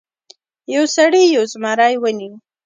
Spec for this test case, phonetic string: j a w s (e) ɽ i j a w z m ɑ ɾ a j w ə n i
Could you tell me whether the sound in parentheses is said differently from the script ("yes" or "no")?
yes